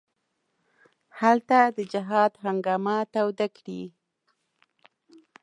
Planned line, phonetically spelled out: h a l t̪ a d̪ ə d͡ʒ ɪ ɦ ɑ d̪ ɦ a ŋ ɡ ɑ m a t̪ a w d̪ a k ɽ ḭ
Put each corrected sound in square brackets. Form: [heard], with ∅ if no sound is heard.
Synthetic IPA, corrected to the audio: h a l t̪ a d̪ ə d͡ʒ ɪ ɦ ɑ d̪ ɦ a ŋ ɡ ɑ m a t̪ a w d̪ a k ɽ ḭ